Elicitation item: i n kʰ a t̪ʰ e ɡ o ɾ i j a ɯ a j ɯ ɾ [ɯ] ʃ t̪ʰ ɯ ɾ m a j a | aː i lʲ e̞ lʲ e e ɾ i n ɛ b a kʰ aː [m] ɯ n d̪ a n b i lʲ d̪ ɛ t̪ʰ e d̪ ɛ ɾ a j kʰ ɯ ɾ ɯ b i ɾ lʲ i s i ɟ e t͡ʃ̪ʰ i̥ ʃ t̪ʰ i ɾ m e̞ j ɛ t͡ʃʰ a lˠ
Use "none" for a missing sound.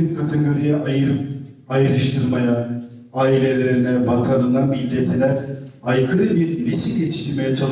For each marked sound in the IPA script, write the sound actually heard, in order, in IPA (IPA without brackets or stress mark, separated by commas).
ɯ, n